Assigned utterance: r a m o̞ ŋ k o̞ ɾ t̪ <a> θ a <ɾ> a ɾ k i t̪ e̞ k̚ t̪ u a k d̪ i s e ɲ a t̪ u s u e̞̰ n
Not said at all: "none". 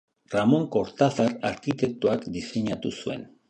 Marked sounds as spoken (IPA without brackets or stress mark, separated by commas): a, ɾ